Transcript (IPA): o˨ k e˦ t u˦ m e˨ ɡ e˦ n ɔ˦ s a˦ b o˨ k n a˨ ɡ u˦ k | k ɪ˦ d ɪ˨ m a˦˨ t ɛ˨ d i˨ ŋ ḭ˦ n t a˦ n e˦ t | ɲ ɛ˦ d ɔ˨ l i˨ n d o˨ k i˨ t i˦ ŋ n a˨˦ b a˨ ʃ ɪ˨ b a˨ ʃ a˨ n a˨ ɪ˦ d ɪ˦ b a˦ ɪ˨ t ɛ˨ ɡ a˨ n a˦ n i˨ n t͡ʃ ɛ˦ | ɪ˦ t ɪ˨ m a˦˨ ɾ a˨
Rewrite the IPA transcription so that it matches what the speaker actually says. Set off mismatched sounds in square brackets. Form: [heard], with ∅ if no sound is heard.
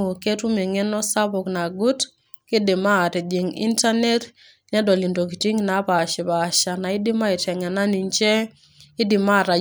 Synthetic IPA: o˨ k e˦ t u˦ m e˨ [ŋ] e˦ n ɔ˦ s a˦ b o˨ k n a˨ ɡ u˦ [t] | k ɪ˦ d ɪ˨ m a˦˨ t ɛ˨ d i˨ ŋ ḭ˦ n t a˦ n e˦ t | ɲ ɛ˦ d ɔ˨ l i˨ n d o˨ k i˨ t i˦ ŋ n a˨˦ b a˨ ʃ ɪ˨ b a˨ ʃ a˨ n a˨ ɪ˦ d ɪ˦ [m] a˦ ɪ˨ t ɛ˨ [ŋ] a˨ n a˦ n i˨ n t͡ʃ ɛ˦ | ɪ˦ [d] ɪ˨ m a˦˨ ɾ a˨

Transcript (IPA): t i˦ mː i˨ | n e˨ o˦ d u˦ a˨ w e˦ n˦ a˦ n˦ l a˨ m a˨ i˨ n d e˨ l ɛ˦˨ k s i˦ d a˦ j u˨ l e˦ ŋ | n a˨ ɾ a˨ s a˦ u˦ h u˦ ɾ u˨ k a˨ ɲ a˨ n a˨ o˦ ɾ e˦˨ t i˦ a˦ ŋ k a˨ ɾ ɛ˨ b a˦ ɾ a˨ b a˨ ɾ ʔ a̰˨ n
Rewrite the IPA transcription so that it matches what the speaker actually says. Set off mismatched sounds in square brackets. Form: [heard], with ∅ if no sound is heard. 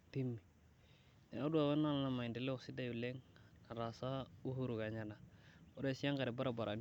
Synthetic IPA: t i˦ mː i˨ | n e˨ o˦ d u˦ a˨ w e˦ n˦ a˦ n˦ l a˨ m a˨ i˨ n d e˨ l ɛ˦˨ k s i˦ d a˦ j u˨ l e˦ ŋ | n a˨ ɾ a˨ s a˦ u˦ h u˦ ɾ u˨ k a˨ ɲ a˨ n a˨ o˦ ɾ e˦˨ [s] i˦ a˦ ŋ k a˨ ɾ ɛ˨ b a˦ ɾ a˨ b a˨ ɾ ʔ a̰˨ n

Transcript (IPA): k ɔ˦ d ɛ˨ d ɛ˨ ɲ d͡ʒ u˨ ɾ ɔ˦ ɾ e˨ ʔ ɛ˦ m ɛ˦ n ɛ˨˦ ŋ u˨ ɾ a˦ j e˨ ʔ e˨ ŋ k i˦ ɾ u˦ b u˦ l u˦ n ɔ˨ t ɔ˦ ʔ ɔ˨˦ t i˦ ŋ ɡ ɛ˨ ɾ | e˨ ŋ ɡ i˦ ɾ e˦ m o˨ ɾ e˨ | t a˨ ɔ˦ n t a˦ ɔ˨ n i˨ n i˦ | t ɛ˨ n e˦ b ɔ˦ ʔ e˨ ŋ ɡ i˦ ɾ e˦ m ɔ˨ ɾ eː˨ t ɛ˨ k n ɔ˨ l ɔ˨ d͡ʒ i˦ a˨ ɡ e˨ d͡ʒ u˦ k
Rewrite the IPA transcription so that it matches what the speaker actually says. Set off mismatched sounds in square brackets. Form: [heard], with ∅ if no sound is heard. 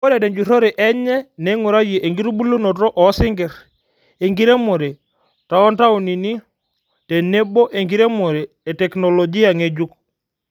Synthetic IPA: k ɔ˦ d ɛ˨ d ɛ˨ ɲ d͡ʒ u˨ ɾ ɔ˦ ɾ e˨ ʔ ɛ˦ [ɲ] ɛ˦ n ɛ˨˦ ŋ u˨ ɾ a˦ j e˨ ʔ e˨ ŋ [ɡ] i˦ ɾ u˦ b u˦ l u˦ n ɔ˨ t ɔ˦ ʔ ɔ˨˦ [s] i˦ ŋ ɡ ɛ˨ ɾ | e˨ ŋ ɡ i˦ ɾ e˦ m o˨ ɾ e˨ | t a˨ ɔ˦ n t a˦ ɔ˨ n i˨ n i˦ | t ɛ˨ n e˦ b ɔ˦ ʔ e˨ ŋ ɡ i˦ ɾ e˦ m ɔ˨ ɾ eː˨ t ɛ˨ k n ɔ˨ l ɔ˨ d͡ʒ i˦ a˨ [ŋ] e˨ d͡ʒ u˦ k

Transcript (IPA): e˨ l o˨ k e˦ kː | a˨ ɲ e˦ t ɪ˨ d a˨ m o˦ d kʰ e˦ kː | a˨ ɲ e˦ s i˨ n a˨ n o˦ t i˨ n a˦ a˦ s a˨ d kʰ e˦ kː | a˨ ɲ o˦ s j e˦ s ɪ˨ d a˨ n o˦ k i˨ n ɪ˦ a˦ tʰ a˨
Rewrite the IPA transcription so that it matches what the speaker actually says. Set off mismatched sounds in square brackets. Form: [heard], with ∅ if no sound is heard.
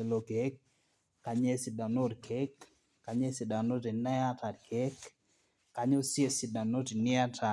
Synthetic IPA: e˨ l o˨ k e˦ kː | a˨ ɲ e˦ [s] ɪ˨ d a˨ [n] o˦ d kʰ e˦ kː | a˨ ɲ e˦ s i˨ [d] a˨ n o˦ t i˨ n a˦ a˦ [t] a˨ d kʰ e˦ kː | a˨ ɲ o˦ s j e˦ s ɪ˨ d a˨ n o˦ [t] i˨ n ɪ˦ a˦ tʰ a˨

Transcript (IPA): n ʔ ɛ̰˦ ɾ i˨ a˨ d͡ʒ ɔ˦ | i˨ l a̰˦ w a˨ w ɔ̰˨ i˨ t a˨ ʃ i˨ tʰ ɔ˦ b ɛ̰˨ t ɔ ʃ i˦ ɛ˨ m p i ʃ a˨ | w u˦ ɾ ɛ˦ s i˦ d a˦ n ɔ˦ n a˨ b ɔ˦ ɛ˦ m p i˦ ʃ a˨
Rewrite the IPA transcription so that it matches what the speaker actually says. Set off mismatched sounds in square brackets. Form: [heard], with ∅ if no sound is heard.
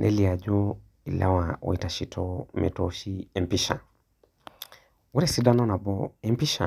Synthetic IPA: n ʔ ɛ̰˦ [l] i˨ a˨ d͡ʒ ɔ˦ | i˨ l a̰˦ w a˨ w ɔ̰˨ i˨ t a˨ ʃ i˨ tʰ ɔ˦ [m] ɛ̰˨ t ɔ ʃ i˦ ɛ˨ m p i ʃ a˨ | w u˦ ɾ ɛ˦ s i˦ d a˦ n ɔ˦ n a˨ b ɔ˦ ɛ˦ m p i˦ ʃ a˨

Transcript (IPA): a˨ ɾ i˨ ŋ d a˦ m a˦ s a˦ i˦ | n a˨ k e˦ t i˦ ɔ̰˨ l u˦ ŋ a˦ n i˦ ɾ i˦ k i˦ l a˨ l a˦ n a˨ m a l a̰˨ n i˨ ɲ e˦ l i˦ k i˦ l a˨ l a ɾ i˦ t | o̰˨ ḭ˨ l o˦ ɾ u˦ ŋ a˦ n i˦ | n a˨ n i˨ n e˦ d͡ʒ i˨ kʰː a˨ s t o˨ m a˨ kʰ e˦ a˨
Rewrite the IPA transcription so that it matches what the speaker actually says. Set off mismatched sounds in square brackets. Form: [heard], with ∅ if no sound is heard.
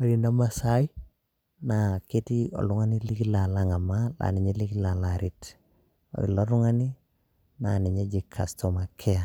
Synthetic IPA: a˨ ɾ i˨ [n] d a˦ m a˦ s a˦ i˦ | n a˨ k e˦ t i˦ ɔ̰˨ l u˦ ŋ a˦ n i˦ [l] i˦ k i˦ l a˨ l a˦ [ŋ] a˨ m a l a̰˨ n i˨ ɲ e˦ l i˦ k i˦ l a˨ l a ɾ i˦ t | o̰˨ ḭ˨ l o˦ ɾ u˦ ŋ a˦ n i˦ | n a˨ n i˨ [ɲ] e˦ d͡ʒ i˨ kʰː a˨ s t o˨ m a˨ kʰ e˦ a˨

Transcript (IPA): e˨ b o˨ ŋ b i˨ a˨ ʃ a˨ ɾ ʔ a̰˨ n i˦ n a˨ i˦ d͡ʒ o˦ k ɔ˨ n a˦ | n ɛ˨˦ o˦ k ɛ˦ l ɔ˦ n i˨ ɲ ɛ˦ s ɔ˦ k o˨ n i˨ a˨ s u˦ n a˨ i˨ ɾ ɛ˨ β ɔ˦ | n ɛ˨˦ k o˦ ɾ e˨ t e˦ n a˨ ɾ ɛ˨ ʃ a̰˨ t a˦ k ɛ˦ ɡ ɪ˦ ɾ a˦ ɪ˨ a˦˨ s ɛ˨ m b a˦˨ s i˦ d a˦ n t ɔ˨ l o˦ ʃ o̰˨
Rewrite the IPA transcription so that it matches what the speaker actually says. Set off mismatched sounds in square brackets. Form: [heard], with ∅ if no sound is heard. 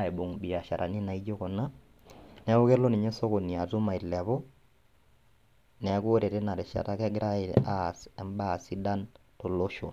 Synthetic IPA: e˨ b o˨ ŋ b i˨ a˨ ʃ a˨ ɾ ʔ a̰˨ n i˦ n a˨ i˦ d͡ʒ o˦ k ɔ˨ n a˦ | n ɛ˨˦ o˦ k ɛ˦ l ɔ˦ n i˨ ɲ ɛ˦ s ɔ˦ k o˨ n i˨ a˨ [t] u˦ [m] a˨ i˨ [l] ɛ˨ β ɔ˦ | n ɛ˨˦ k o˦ ɾ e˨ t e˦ n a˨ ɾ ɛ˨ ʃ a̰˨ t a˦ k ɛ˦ ɡ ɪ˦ ɾ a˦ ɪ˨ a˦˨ s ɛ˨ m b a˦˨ s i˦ d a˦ n t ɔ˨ l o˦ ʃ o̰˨

